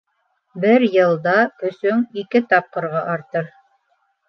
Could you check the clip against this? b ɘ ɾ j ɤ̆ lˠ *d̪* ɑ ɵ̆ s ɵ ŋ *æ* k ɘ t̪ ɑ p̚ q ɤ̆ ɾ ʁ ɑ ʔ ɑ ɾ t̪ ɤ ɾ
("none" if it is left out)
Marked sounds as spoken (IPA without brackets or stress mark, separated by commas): d̪, i